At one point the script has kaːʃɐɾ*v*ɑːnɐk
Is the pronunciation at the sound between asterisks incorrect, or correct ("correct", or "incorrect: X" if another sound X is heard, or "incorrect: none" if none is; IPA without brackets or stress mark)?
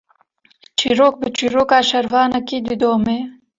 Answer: correct